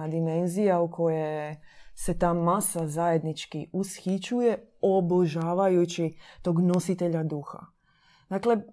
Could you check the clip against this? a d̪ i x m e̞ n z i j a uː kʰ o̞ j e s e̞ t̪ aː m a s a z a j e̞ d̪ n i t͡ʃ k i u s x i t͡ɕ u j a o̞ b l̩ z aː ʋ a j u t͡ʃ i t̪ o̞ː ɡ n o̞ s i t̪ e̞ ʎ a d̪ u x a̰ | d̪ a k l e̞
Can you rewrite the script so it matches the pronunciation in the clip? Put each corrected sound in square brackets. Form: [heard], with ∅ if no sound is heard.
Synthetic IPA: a d̪ i [∅] m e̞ n z i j a [u] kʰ o̞ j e s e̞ t̪ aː m a s a z a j e̞ d̪ n i t͡ʃ k i u s x i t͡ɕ u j [e] o̞ b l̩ [ʒ] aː ʋ a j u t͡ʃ i t̪ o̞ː ɡ n o̞ s i t̪ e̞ ʎ a d̪ u x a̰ | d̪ a k l e̞